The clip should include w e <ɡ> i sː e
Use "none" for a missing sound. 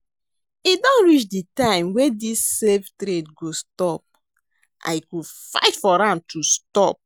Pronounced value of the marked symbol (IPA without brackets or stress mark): d